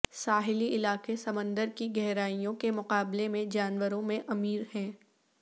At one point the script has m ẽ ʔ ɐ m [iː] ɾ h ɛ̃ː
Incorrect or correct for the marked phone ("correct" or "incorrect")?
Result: correct